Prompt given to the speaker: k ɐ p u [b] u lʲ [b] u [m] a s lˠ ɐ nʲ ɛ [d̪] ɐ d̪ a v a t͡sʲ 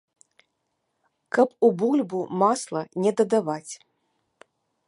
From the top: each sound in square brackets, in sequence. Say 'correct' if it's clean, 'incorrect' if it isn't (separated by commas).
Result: correct, correct, correct, correct